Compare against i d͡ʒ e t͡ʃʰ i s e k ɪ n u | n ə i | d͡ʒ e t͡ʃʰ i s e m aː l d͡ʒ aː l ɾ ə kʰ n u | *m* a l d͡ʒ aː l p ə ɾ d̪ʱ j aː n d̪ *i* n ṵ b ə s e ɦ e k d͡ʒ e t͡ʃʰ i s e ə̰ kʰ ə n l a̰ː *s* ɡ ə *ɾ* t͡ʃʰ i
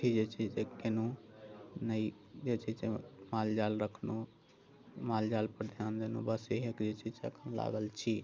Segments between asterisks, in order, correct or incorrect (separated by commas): correct, incorrect, incorrect, incorrect